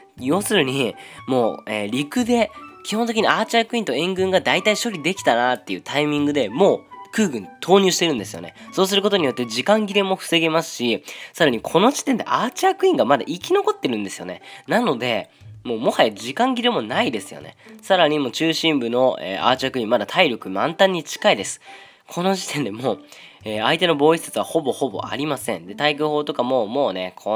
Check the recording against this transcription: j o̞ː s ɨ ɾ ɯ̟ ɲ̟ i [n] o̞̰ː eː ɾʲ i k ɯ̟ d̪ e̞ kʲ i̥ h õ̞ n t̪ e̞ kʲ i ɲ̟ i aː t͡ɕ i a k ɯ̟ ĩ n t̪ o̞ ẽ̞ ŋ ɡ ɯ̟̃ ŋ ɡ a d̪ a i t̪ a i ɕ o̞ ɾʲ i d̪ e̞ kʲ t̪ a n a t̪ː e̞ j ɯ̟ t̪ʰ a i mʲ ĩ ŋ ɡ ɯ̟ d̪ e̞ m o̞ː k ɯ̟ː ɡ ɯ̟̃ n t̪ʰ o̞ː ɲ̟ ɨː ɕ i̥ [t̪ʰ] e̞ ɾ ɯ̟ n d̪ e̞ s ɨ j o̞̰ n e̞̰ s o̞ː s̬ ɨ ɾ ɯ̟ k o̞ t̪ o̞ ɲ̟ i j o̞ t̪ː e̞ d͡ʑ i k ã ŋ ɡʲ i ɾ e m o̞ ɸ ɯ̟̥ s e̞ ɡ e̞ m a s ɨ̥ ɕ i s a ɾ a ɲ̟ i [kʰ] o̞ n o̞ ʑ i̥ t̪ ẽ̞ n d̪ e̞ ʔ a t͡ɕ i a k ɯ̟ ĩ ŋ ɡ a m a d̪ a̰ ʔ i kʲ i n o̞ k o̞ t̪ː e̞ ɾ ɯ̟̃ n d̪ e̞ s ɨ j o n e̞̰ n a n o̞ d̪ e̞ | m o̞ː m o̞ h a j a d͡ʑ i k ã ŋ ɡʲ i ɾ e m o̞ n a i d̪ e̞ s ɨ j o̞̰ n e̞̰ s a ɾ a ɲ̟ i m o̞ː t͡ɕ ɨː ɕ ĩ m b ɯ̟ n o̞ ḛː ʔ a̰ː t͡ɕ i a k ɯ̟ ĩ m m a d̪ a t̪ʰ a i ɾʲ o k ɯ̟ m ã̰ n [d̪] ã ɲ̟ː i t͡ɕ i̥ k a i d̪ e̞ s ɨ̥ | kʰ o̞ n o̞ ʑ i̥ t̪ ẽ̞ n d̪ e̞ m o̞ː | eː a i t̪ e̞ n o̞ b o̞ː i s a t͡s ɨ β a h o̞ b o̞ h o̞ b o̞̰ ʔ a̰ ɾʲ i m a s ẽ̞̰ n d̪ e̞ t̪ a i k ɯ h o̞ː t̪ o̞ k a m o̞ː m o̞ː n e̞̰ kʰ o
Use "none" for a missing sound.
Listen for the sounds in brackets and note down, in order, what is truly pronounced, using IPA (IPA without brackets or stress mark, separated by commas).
m, t̪, kʰ, t̪